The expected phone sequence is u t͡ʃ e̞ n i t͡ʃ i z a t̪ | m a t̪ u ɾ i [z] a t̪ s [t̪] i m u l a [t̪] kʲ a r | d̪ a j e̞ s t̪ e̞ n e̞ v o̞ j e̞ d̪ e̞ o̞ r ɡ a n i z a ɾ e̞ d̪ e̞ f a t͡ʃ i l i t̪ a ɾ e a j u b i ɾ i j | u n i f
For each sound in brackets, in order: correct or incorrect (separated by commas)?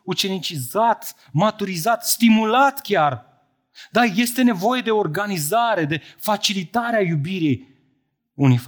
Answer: correct, correct, correct